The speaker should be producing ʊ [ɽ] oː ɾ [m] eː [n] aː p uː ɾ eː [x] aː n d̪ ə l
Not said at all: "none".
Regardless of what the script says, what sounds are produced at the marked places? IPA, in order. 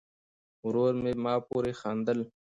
ɾ, m, m, x

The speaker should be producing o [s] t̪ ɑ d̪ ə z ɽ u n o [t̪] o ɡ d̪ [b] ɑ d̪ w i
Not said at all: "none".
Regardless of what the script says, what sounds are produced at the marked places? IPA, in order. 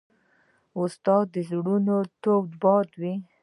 s, t̪, b

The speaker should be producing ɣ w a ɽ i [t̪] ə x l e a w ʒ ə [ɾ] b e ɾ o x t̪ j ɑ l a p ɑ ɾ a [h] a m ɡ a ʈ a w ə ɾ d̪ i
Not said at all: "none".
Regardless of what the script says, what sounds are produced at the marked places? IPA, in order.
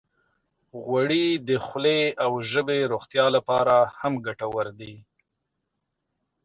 d̪, none, h

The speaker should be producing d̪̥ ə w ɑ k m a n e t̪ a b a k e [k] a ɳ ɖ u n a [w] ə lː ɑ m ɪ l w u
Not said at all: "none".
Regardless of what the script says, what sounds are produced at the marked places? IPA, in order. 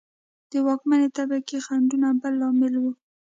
x, b

